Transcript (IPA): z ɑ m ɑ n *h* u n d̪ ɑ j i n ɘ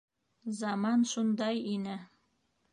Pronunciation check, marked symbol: incorrect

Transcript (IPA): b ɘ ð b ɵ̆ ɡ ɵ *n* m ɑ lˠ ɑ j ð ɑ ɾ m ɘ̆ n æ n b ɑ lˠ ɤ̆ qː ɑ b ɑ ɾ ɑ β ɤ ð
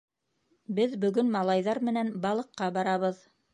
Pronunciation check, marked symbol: correct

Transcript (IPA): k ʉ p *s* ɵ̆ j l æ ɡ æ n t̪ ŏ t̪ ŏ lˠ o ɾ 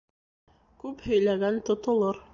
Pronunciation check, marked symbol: incorrect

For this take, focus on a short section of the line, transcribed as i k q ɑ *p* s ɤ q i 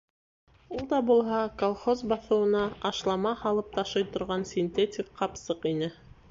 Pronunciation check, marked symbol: correct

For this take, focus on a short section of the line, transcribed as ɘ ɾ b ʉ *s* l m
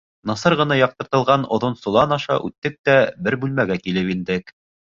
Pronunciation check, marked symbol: incorrect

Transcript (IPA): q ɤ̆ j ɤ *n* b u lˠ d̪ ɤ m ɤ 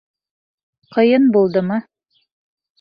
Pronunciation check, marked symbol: correct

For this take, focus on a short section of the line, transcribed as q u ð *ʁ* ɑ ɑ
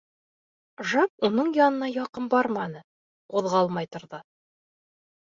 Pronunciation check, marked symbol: correct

